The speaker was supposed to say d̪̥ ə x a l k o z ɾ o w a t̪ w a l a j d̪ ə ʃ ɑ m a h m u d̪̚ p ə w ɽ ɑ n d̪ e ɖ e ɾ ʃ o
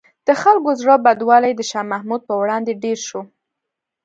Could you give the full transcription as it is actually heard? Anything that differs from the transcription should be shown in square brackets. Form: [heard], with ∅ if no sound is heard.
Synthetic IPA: d̪̥ ə x a l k o z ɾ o [b] a [d̪] w [ɑ] l a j d̪ ə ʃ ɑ m a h m u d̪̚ p ə w ɽ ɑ n d̪ e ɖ e ɾ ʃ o